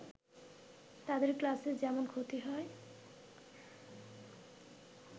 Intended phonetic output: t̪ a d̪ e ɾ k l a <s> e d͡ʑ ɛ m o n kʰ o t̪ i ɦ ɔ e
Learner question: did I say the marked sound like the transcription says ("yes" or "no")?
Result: yes